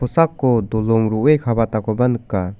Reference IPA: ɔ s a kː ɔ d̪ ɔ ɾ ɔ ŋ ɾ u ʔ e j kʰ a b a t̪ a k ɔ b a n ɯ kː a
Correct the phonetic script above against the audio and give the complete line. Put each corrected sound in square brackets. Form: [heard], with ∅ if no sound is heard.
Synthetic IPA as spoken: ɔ s a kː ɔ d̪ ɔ [l] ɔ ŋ ɾ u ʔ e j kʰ a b a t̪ a k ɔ b a n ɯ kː a